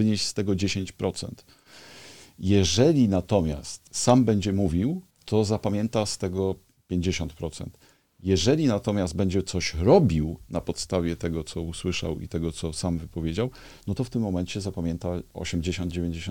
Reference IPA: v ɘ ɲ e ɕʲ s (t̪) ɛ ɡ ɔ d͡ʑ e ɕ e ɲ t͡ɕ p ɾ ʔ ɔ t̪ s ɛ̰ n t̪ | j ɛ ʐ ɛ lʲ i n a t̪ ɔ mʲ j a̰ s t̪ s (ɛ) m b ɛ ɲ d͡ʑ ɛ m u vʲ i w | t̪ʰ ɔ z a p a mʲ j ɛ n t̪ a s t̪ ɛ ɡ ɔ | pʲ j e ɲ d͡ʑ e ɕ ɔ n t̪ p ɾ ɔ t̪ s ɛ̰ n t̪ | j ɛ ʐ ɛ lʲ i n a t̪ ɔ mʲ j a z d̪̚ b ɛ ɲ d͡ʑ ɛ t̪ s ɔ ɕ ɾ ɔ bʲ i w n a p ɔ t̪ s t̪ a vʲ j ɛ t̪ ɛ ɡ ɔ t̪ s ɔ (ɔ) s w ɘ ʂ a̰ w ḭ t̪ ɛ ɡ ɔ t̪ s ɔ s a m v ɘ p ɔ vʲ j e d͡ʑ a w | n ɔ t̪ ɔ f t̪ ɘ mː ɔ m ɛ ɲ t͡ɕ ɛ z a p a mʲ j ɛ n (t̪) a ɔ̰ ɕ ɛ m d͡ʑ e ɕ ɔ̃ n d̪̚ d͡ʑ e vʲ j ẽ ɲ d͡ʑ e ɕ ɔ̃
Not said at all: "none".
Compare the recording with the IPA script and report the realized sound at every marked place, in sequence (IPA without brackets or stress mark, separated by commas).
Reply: t̪, a, u, t̪